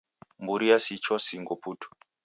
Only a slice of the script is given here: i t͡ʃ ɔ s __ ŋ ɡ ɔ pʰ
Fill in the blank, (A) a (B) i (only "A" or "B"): B